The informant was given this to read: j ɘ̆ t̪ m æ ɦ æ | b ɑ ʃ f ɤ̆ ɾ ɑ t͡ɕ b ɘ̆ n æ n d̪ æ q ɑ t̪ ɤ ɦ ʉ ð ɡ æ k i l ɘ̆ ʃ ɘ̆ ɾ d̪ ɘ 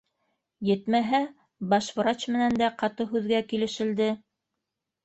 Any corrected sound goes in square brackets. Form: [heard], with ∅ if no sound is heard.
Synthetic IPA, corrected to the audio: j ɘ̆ t̪ m æ ɦ æ | b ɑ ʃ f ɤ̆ ɾ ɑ t͡ɕ [m] ɘ̆ n æ n d̪ æ q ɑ t̪ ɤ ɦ ʉ ð ɡ æ k i l ɘ̆ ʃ ɘ̆ [l] d̪ ɘ